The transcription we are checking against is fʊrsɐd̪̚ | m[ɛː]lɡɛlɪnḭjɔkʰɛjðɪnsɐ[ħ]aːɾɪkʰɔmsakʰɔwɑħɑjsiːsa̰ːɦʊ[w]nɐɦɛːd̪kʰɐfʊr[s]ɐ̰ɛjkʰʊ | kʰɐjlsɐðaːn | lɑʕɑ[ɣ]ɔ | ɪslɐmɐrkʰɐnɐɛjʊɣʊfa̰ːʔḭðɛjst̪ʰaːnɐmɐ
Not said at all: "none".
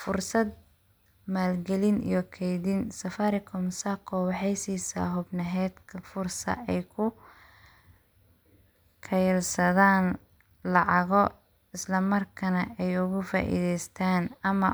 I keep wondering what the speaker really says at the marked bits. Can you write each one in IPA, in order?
aː, f, b, s, ɣ

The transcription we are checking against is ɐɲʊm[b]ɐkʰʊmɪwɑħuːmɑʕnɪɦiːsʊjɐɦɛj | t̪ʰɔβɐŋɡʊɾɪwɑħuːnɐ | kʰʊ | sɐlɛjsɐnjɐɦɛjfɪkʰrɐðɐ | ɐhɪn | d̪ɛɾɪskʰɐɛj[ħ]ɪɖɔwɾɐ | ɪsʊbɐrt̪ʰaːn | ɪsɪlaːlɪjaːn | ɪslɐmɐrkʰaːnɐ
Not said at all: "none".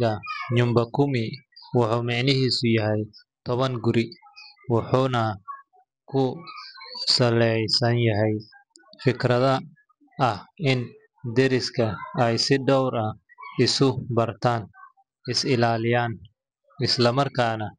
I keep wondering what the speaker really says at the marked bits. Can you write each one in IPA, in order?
b, s

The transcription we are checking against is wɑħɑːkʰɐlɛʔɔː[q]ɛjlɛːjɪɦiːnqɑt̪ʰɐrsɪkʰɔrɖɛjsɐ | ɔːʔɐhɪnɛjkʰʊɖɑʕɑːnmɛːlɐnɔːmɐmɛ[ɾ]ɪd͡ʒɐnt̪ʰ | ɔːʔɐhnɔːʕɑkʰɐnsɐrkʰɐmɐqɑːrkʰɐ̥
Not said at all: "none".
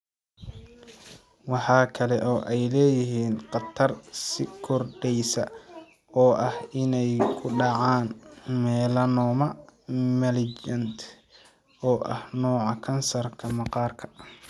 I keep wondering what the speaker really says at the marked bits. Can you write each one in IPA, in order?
ʔ, l

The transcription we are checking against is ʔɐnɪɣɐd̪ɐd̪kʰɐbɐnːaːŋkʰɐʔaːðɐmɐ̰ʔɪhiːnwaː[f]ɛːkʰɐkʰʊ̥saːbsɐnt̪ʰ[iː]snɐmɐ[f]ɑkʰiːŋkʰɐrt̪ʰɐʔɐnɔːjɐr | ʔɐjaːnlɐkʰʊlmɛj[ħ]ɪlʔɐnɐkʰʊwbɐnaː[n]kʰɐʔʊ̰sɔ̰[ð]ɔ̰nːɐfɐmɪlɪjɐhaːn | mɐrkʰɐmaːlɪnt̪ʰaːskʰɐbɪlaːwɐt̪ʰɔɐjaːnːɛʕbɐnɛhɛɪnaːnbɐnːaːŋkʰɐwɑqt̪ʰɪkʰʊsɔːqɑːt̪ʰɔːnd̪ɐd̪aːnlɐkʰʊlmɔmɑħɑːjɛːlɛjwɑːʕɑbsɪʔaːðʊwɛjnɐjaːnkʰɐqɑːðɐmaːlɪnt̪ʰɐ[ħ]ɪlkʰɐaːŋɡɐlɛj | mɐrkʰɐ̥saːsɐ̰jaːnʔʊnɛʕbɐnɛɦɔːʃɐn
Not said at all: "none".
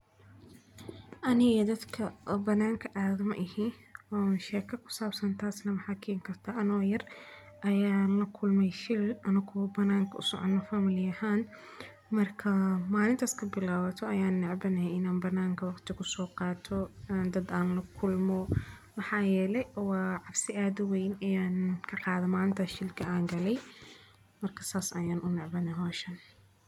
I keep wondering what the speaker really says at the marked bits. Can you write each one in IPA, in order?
ʃ, aː, ħ, ʃ, ŋ, ʕ, ʃ

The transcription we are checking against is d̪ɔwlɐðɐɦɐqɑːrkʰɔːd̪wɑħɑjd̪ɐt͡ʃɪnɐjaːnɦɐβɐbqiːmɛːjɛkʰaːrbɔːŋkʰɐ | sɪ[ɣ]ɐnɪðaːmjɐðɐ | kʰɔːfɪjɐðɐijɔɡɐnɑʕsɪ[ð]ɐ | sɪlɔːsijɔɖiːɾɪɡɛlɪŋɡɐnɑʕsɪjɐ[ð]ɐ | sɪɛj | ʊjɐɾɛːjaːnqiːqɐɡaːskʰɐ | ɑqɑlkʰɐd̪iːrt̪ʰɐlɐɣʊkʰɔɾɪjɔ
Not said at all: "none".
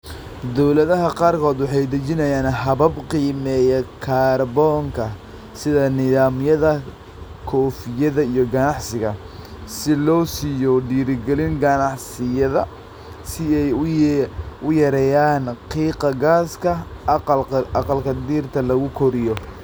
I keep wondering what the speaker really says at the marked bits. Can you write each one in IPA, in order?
ð, ɣ, ð

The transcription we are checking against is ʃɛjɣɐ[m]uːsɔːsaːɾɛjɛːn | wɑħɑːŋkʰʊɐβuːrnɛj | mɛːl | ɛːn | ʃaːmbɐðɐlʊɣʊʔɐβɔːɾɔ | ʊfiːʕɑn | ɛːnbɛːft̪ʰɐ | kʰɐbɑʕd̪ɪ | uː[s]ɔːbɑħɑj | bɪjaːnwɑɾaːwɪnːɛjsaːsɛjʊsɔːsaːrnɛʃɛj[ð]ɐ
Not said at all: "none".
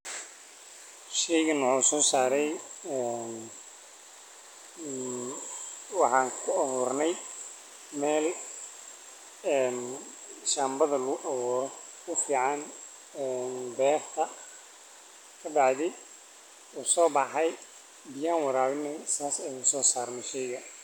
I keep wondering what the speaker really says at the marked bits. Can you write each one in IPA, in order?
n, s, ɣ

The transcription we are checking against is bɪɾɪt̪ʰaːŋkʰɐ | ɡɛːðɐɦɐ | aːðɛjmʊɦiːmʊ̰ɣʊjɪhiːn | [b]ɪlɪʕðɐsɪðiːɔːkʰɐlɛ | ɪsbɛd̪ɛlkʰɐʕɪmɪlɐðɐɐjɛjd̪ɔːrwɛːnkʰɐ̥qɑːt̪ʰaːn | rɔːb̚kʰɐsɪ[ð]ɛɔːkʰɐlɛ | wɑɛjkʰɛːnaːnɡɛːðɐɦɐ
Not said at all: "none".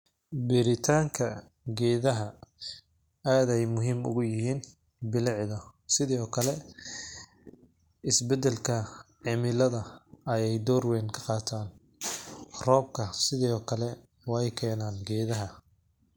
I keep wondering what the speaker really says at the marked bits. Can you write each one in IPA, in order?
b, ð

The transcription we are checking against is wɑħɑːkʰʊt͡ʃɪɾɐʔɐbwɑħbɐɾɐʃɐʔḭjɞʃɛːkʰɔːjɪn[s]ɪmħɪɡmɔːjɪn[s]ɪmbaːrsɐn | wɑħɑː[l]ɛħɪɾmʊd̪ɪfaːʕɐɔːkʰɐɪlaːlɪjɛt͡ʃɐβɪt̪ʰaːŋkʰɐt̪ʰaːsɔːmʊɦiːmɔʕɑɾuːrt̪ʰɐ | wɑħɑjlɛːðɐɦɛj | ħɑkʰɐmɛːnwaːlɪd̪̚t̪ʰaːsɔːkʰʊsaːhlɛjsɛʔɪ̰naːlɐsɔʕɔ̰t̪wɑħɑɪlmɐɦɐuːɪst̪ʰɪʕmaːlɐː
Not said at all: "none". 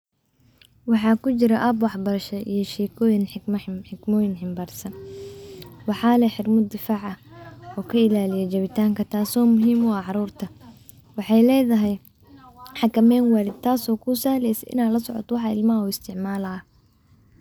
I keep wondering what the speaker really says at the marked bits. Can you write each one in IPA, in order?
ħ, ħ, l

